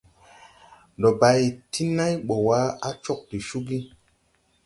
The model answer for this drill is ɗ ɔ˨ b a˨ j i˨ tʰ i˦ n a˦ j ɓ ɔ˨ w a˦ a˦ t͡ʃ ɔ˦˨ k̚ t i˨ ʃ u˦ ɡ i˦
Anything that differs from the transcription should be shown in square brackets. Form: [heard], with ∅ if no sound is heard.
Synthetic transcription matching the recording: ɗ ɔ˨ b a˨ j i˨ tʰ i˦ n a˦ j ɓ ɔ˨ w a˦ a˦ t͡ʃ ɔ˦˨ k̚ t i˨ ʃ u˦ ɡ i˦